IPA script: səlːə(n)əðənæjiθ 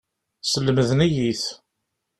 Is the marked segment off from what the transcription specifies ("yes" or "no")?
yes